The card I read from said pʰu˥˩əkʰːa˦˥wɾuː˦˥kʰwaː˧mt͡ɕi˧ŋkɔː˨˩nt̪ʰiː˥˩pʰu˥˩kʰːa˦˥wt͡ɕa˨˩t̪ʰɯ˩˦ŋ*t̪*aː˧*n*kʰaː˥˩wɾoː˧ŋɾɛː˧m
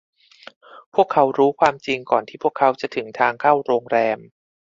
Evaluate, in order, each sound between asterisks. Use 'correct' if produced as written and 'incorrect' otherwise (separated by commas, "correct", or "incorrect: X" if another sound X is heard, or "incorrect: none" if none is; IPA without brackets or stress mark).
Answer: incorrect: t̪ʰ, incorrect: ŋ